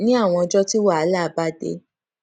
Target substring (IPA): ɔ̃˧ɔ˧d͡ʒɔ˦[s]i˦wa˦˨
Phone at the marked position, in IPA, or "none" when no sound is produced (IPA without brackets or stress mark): t